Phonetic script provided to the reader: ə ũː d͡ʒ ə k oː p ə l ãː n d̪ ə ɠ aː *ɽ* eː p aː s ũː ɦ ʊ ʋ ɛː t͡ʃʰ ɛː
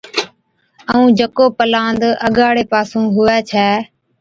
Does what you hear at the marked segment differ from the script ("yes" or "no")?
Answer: no